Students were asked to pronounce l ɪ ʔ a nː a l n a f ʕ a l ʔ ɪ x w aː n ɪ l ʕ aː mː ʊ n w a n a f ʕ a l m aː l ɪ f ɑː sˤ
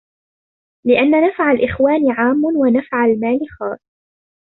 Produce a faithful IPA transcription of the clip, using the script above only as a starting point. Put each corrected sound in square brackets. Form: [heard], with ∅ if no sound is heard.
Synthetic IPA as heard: l ɪ ʔ a nː a [∅] n a f ʕ a l ʔ ɪ x w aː n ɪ [∅] ʕ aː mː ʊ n w a n a f ʕ a l m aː l ɪ [x] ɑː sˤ